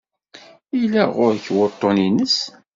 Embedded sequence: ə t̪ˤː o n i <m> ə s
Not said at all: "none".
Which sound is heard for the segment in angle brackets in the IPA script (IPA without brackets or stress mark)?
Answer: n